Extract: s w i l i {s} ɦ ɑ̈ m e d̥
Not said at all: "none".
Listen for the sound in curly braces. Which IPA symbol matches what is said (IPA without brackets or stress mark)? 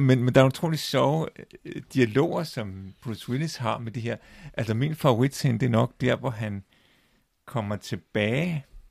s